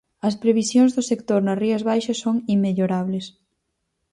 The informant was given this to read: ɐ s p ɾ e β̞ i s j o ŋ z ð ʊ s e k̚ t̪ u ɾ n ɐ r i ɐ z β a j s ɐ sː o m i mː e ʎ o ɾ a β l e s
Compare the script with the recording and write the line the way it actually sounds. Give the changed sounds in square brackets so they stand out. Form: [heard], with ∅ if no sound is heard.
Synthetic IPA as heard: ɐ s p ɾ e β̞ i s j o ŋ z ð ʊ s e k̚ t̪ [o] ɾ n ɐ r i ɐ z β a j [ʃ] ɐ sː o [ŋ] i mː e ʎ o ɾ a β l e s

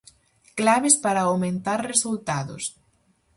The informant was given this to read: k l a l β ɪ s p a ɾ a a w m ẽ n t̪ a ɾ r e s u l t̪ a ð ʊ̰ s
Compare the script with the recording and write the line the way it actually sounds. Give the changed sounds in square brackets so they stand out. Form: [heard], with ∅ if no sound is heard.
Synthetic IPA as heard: k l a [∅] β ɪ s p a ɾ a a w m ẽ n t̪ a ɾ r e s u l t̪ a ð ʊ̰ s

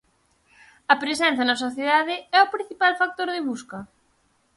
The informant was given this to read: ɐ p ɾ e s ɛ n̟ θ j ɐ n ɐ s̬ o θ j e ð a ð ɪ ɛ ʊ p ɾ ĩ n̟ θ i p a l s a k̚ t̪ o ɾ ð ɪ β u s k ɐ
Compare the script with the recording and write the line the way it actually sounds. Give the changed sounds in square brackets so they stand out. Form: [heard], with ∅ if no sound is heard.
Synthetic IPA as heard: ɐ p ɾ e s ɛ n̟ θ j ɐ n ɐ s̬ o θ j e ð a ð ɪ ɛ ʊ p ɾ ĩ n̟ θ i p a l [f] a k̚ t̪ o ɾ ð ɪ β u s k ɐ

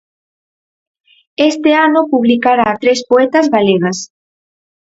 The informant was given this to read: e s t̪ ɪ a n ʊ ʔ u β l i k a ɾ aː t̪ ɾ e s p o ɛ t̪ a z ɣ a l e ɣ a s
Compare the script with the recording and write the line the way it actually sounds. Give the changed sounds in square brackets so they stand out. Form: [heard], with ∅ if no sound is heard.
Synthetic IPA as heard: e s t̪ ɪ a n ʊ [p] u β l i k a ɾ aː t̪ ɾ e s p o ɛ t̪ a z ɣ a l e ɣ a s

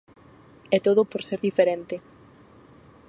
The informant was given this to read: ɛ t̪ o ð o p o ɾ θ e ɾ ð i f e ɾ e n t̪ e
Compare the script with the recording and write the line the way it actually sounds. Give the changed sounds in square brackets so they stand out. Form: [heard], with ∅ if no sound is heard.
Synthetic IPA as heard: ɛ t̪ o ð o p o ɾ [s] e ɾ ð i f e ɾ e n t̪ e

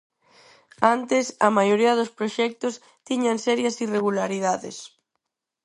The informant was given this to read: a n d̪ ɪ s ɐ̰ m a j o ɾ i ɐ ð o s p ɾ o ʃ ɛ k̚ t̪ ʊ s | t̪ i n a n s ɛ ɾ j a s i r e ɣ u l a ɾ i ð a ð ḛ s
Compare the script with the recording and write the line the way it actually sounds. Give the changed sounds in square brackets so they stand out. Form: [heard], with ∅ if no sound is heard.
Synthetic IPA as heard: a n [t̪] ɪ s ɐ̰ m a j o ɾ i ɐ ð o s p ɾ o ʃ ɛ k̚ t̪ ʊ s | t̪ i [ɲ] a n s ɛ ɾ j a s i r e ɣ u l a ɾ i ð a ð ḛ s

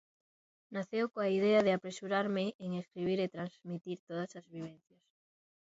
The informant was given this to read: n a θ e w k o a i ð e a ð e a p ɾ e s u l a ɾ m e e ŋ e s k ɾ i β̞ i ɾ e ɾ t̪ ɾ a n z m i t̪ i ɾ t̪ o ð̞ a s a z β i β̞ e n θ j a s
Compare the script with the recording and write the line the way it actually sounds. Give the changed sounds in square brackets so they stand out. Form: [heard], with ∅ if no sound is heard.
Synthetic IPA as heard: n a θ e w k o a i ð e a ð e a p ɾ e s u [ɾ] a ɾ m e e ŋ e s k ɾ i β̞ i ɾ e [∅] t̪ ɾ a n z m i t̪ i ɾ t̪ o ð̞ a s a z β i β̞ e n θ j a s

